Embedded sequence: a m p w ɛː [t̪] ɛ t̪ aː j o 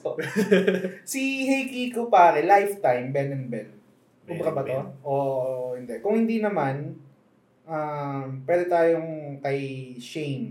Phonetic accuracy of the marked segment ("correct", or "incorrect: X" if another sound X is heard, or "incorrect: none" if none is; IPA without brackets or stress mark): incorrect: d̪